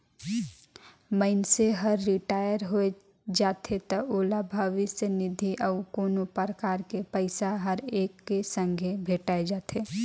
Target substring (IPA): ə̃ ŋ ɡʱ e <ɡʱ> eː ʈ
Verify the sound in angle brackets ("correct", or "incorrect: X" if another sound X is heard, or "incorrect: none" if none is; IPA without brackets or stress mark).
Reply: incorrect: bʱ